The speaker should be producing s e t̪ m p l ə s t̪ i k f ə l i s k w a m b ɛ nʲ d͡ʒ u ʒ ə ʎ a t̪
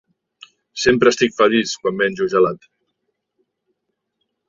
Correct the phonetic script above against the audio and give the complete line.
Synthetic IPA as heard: s e m p ɾ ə s t̪ i k f ə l i s k w a m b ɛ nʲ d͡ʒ u ʒ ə l a t̪